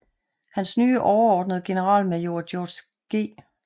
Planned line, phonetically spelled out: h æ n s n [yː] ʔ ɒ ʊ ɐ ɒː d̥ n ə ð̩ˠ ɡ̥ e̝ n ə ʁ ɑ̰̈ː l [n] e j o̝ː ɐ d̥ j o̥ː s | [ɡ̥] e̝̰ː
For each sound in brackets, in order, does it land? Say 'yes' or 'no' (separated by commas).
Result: yes, no, yes